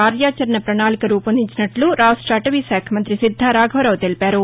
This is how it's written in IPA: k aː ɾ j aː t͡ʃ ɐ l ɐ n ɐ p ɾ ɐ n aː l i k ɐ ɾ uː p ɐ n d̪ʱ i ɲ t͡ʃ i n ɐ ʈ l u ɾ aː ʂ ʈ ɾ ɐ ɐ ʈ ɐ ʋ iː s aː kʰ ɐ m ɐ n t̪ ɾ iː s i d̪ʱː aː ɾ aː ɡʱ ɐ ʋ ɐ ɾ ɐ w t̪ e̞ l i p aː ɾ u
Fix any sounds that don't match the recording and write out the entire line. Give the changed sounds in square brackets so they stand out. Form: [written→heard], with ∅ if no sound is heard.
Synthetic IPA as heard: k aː ɾ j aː t͡ʃ ɐ [l→ɾ] ɐ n ɐ p ɾ ɐ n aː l i k ɐ ɾ uː p ɐ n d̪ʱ i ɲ t͡ʃ i n ɐ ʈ l u ɾ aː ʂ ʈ ɾ ɐ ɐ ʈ ɐ ʋ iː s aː kʰ ɐ m ɐ n t̪ ɾ [iː→i] s i d̪ʱː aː ɾ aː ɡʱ ɐ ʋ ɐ ɾ ɐ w t̪ e̞ l i p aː ɾ u